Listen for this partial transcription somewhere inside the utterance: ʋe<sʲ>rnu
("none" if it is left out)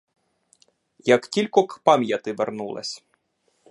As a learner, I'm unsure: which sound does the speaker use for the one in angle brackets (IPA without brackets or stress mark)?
none